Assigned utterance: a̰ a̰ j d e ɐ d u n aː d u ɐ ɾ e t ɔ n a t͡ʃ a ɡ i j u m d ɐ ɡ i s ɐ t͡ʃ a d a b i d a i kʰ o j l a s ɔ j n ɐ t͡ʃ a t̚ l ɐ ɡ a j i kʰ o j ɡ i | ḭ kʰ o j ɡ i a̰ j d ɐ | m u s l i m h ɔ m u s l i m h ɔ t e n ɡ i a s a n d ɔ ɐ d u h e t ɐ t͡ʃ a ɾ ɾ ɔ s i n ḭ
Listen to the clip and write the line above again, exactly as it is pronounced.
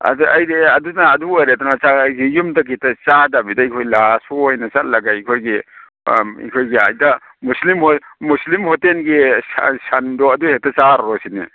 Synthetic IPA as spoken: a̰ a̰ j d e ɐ d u n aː d u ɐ ɾ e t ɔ n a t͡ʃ a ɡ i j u m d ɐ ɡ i t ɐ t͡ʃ a d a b i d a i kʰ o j l a s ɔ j n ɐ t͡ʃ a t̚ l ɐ ɡ a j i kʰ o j ɡ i | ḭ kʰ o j ɡ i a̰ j d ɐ | m u s l i m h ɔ m u s l i m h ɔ t e n ɡ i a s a n d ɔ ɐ d u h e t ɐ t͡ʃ a ɾ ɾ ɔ s i n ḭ